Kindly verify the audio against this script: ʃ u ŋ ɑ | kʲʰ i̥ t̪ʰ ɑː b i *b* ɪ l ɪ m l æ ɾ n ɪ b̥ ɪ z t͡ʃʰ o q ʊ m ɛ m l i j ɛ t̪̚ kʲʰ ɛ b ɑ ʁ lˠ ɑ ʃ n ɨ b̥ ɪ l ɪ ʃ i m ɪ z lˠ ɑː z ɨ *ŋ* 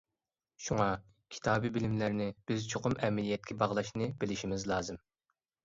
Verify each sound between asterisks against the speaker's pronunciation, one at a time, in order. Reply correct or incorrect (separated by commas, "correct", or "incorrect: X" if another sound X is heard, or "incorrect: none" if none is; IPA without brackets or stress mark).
correct, incorrect: m